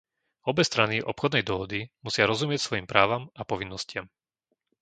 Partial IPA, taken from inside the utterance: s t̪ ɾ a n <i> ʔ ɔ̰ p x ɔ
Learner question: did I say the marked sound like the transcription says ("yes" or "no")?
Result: yes